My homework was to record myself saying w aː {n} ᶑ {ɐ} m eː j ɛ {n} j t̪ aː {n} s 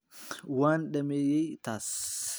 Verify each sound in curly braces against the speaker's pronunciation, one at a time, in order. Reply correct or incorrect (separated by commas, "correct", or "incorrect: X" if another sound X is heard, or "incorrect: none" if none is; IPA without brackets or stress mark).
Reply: correct, correct, incorrect: none, incorrect: none